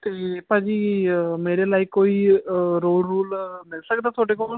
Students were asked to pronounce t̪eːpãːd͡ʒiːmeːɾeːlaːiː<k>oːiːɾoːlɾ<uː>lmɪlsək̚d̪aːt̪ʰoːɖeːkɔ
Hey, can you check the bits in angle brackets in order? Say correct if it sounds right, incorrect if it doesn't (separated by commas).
correct, correct